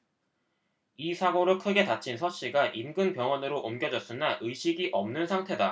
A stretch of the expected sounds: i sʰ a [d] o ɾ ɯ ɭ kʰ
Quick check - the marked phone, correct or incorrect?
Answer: incorrect: ɡ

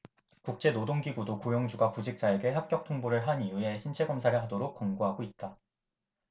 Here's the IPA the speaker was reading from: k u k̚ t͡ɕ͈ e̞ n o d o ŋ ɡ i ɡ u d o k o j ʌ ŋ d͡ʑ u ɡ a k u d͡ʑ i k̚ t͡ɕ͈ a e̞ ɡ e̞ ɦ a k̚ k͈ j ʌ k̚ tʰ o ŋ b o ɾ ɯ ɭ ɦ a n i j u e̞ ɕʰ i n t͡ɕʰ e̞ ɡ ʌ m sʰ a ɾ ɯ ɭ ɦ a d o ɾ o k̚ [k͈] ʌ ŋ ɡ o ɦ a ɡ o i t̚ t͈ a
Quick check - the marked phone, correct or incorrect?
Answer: correct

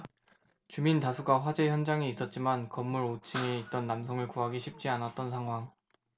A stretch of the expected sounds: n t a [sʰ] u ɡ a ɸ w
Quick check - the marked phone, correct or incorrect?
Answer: correct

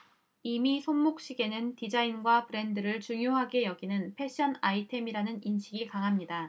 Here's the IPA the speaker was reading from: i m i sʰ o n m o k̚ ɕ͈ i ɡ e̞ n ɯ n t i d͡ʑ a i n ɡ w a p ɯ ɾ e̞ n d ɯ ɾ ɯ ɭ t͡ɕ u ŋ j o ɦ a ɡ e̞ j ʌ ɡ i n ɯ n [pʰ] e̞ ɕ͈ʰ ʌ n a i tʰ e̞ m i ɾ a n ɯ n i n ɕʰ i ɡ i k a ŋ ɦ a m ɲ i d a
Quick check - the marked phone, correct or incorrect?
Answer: correct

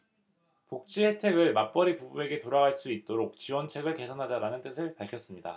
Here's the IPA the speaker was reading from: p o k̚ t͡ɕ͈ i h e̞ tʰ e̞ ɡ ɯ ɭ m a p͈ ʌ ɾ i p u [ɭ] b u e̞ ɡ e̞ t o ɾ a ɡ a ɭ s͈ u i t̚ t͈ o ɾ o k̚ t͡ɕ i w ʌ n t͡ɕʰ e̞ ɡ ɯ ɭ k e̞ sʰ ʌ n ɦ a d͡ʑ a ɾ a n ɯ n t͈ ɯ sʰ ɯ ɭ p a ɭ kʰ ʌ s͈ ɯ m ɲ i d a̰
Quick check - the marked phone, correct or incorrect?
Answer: incorrect: none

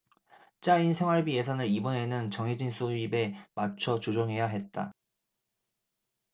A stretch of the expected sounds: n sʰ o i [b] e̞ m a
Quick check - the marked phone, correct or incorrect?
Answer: correct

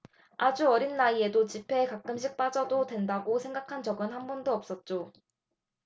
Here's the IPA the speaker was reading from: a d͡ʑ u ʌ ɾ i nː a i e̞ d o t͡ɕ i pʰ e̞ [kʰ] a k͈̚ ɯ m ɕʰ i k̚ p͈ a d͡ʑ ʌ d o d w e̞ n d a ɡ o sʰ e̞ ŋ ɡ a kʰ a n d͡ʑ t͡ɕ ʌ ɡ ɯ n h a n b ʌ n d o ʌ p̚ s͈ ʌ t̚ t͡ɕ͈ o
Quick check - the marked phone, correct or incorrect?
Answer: incorrect: k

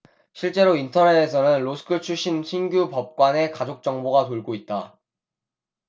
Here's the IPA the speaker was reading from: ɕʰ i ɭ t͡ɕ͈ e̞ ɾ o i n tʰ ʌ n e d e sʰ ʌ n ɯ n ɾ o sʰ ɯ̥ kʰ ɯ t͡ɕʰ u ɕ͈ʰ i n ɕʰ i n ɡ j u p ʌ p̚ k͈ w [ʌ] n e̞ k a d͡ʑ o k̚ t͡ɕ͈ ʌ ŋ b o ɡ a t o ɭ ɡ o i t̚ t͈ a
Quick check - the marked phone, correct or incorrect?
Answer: incorrect: a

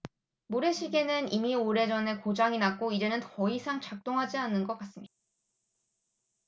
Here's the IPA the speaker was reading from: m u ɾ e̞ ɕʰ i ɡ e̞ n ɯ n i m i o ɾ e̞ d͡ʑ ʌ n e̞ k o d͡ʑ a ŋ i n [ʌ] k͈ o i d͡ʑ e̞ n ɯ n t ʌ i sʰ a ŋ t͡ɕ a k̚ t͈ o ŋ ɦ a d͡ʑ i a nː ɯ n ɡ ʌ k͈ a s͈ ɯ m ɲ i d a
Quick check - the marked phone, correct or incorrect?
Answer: incorrect: a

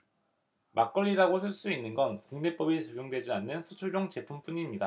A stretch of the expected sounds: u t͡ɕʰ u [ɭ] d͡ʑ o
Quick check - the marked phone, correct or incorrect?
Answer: correct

